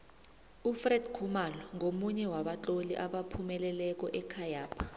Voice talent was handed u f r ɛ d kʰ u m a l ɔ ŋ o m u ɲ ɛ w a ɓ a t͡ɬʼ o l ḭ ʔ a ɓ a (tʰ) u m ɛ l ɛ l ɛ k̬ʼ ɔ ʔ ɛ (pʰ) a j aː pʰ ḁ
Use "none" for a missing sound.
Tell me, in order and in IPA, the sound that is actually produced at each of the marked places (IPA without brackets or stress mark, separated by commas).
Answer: pʰ, kʰ